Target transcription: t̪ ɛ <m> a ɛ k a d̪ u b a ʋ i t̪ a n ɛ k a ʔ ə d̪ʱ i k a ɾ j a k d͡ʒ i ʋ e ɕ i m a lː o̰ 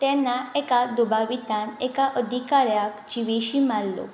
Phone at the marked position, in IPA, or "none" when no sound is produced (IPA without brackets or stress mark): n